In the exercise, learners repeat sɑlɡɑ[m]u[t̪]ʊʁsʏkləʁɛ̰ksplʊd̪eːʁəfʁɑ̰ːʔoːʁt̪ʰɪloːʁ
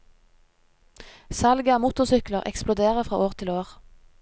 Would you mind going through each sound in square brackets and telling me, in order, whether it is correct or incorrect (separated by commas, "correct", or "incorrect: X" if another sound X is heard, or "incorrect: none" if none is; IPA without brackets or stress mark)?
correct, correct